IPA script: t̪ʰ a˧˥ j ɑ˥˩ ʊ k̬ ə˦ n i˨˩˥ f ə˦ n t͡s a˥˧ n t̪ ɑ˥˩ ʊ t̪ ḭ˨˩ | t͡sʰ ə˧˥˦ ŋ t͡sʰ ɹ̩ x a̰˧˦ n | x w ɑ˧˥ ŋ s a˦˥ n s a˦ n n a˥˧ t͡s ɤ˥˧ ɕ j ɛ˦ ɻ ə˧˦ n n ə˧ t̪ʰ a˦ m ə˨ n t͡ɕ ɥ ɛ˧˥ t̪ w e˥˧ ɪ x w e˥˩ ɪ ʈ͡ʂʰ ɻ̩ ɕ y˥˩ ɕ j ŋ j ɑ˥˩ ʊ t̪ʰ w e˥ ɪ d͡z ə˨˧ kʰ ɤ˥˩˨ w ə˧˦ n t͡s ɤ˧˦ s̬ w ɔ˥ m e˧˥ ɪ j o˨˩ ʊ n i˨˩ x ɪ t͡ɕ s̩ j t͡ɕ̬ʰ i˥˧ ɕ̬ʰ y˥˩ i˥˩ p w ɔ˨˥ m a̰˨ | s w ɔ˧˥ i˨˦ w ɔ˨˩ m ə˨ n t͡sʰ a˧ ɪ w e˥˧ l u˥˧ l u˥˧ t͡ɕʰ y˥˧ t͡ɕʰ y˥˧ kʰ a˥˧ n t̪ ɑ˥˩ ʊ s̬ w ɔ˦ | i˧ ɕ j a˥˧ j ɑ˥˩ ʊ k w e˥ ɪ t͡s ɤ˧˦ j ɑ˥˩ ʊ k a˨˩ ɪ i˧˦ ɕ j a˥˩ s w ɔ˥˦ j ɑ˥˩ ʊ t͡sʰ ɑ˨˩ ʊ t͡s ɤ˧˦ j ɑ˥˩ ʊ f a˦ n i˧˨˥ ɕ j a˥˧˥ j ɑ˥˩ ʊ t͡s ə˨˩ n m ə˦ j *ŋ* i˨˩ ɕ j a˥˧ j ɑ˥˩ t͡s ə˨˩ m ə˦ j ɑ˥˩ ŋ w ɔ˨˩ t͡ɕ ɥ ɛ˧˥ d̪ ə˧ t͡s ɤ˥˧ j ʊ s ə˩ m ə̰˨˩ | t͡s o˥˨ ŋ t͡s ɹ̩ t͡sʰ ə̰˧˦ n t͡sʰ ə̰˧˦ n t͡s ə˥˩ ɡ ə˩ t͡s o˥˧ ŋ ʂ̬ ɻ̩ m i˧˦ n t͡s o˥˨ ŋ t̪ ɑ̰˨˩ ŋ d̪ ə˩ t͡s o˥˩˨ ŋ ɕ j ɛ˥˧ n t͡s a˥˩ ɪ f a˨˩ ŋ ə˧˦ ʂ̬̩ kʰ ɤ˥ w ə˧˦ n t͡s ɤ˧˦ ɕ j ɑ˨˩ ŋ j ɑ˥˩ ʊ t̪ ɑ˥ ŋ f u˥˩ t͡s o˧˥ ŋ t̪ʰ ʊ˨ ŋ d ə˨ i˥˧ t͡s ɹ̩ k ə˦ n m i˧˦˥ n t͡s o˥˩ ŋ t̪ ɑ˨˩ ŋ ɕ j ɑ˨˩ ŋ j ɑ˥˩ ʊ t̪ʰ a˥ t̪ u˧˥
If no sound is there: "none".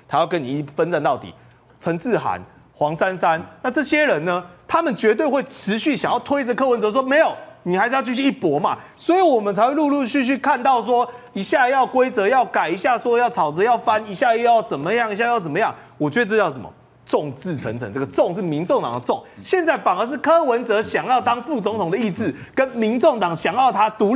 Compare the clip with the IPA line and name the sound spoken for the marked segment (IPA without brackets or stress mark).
ŋ